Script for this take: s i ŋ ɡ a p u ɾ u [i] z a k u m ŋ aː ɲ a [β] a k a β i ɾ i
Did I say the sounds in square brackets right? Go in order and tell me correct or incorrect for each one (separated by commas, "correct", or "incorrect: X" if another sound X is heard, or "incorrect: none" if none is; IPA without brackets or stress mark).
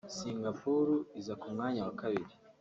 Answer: correct, incorrect: w